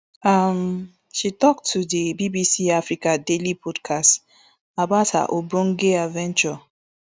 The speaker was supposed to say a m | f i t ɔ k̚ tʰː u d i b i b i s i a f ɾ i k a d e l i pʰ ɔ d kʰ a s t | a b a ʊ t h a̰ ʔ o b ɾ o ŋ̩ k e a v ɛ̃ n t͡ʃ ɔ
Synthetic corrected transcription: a m | ʃ i t ɔ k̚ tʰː u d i b i b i s i a f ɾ i k a d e l i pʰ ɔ d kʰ a s t | a b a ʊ t h a̰ ʔ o b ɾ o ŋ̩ ɡ e a v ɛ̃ n t͡ʃ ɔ